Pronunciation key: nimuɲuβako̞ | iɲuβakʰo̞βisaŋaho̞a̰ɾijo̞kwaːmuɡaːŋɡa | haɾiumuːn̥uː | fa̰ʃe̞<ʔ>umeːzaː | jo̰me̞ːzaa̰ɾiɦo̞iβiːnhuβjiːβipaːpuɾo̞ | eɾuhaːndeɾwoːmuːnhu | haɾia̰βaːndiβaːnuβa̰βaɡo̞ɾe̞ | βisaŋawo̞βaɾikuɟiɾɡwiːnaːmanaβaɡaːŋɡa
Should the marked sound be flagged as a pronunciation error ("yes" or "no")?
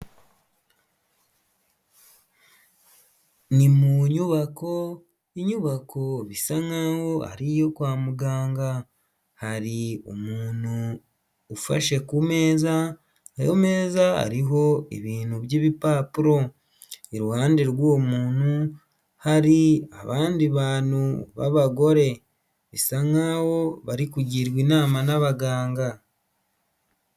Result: yes